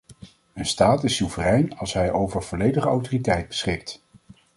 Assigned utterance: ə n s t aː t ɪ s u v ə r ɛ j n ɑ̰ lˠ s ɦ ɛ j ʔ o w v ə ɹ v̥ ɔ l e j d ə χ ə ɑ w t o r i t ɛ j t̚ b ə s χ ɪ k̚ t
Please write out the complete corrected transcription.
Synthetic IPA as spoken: ə n s t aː t ɪ s u v ə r ɛ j n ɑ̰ lˠ s ɦ ɛ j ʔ o w v ə ɹ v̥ ɔ l e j d ə χ ə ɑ w t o r i t ɛ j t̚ b ə s χ ɪ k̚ t